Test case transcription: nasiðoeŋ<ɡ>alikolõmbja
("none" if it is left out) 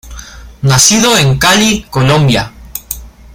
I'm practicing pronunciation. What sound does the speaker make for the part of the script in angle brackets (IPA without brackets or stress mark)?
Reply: k